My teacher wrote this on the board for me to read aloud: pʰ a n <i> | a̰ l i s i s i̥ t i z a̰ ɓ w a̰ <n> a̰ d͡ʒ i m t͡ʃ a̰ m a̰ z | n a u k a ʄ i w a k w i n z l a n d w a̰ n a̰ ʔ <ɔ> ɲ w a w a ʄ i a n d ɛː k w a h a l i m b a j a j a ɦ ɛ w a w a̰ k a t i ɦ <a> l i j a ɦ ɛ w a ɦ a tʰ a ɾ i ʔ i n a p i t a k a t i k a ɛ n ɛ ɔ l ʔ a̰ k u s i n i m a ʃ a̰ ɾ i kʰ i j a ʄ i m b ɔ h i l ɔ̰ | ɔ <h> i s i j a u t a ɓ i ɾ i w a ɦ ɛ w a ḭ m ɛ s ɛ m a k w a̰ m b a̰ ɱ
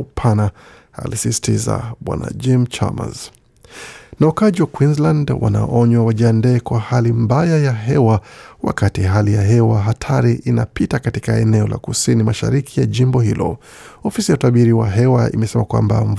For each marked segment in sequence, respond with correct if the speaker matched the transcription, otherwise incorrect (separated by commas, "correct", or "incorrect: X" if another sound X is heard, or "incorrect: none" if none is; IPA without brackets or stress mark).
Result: incorrect: a, correct, correct, correct, incorrect: f